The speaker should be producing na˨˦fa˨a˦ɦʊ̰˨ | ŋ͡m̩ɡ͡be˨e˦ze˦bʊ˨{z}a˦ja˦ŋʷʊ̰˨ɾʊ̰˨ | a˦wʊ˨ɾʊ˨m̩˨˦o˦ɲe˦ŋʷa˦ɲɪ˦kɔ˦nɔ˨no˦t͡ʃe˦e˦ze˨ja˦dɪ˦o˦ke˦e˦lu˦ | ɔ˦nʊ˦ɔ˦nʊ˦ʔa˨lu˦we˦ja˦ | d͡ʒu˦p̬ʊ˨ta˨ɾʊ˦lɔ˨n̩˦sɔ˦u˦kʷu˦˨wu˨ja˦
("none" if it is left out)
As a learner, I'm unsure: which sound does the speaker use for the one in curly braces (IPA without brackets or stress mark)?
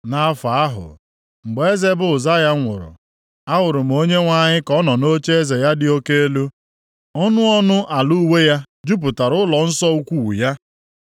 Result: z